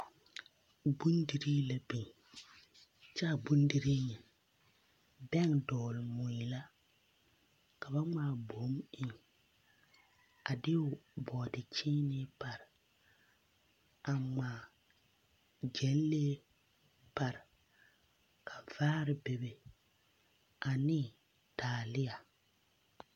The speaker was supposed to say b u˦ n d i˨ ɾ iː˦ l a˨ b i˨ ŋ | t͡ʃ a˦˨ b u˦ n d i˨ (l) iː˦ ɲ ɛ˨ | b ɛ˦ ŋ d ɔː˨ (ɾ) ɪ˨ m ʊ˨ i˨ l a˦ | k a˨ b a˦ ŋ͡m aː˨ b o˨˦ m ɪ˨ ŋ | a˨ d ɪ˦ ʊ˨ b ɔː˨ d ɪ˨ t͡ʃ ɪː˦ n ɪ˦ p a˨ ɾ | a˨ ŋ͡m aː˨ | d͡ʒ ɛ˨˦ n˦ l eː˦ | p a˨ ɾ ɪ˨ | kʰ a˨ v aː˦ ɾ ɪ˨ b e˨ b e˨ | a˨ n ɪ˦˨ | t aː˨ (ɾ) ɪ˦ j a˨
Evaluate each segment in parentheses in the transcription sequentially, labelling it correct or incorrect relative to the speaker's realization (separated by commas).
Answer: incorrect, incorrect, incorrect